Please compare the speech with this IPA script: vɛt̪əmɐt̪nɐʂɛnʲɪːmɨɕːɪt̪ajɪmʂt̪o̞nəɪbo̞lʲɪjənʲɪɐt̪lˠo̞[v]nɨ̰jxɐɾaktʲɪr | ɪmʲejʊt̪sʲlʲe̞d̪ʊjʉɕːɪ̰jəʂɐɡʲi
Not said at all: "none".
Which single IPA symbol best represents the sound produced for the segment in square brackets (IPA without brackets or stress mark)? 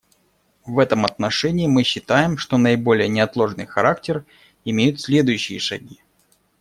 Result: ʐ